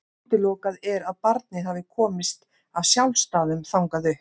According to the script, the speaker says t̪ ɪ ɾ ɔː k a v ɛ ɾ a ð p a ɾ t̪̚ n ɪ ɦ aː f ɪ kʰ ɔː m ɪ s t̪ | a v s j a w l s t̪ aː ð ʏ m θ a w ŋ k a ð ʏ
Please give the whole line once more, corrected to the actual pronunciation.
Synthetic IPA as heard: t̪ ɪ l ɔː k a ð ɛ ɾ a ð p a ɾ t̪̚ n ɪ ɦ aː v ɪ kʰ ɔː m ɪ s t̪ | a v s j a w l s t̪ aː ð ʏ m θ a w ŋ k a ð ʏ